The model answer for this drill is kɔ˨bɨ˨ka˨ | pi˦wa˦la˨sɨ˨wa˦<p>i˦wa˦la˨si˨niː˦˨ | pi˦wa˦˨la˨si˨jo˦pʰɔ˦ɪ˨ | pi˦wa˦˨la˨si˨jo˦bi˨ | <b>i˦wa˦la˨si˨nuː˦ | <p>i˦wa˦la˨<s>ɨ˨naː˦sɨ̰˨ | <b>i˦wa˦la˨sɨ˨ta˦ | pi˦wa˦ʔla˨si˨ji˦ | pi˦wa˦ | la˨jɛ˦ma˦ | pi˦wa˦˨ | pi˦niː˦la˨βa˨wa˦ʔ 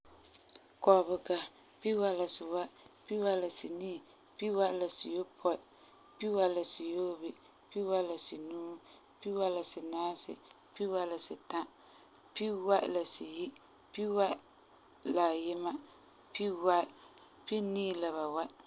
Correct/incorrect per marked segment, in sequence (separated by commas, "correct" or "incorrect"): correct, incorrect, correct, correct, incorrect